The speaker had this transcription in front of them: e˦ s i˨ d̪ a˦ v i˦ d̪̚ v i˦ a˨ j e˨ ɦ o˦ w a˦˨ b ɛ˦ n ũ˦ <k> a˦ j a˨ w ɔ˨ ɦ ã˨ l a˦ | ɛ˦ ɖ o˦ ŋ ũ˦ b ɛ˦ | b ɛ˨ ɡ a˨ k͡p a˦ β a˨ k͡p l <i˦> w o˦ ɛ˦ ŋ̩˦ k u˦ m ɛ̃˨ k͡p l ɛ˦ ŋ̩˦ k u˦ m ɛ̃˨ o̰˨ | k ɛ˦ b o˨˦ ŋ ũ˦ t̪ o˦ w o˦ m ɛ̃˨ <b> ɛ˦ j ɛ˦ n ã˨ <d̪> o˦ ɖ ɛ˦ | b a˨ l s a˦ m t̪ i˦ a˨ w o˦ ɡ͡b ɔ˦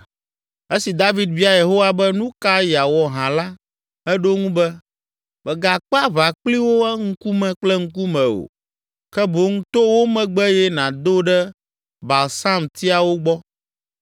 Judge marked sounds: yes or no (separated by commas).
yes, yes, no, yes